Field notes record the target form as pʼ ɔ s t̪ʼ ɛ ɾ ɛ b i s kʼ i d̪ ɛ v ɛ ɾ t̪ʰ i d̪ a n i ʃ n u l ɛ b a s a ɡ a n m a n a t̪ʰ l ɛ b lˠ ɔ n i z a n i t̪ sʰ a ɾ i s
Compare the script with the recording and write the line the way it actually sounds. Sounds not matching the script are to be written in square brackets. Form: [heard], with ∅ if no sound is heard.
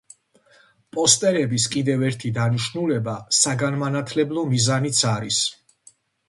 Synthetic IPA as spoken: pʼ ɔ s t̪ʼ ɛ ɾ ɛ b i s kʼ i d̪ ɛ v ɛ ɾ t̪ʰ i d̪ a n i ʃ n u l ɛ b a s a ɡ a n m a n a t̪ʰ l ɛ b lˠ ɔ [m] i z a n i t̪ sʰ a ɾ i s